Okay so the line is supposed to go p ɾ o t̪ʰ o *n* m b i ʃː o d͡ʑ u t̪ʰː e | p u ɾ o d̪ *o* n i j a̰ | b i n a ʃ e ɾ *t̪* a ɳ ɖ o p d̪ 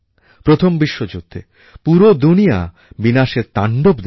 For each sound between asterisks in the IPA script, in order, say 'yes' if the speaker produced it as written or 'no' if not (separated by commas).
no, no, yes